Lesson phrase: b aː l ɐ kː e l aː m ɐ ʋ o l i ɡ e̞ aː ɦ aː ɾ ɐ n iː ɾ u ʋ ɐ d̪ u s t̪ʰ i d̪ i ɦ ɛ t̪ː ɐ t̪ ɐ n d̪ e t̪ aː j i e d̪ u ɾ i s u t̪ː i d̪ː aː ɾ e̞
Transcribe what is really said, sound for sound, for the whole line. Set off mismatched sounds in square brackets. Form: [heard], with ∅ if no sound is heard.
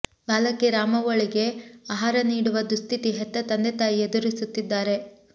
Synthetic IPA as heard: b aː l ɐ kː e [ɾ] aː m ɐ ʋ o [ɭ] i ɡ e̞ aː ɦ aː ɾ ɐ n iː [ɽ] u ʋ ɐ d̪ u s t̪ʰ i [t̪] i ɦ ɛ t̪ː ɐ t̪ ɐ n d̪ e t̪ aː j i e d̪ u ɾ i s u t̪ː i d̪ː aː ɾ e̞